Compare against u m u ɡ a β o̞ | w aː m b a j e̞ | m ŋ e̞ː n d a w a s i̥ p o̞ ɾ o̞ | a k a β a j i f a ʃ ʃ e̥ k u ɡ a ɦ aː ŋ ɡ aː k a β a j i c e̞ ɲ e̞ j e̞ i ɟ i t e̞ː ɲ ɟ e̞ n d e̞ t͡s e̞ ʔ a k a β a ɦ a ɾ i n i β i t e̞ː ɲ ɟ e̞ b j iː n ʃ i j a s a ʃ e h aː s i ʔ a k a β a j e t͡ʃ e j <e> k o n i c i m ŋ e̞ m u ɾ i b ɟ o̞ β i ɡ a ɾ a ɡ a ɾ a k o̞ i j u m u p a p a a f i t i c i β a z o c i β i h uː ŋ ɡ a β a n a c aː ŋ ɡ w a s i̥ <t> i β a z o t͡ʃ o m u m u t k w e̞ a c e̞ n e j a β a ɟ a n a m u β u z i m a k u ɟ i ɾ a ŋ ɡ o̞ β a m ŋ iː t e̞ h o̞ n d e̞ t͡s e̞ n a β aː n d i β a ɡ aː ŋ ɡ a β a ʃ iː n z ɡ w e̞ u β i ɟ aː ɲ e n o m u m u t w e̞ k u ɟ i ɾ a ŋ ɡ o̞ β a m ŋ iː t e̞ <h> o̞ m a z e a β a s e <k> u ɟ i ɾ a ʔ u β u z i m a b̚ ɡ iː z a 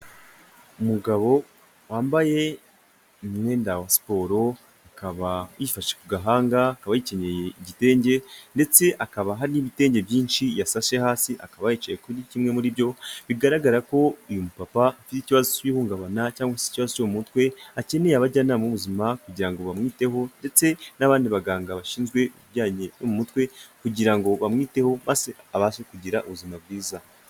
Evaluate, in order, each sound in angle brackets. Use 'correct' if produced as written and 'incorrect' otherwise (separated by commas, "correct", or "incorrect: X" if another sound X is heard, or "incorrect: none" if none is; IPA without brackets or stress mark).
correct, incorrect: c, correct, correct